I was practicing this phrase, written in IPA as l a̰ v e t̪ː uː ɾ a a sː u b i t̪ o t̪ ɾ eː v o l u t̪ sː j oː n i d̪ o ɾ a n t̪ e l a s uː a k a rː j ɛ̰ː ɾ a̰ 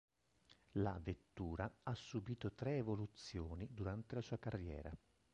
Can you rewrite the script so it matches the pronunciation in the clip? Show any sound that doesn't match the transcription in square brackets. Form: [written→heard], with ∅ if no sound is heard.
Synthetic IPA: l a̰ v e t̪ː uː ɾ a a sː u b [i→iː] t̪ o t̪ ɾ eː v o l u t̪ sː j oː n i d̪ [o→u] ɾ a n t̪ e l a s uː a k a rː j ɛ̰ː ɾ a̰